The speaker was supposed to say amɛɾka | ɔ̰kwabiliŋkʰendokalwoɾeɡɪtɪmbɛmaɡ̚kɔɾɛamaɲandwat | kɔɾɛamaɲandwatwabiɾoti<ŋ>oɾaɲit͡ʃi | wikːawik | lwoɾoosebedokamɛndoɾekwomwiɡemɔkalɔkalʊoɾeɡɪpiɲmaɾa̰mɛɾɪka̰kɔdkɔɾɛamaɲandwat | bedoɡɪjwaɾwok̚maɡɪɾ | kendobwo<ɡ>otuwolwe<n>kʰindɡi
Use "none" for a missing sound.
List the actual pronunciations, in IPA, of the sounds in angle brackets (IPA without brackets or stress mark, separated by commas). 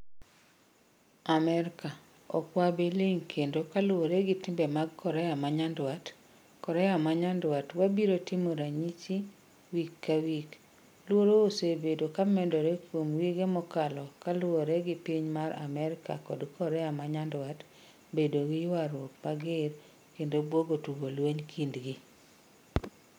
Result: m, ɡ, ɲ